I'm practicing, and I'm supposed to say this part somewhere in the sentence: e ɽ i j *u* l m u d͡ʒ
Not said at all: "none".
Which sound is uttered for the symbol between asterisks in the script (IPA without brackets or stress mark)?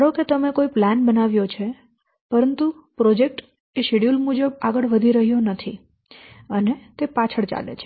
u